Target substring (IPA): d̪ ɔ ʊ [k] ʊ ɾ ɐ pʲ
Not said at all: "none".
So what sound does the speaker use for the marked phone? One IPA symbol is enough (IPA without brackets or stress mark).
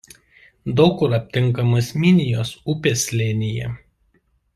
k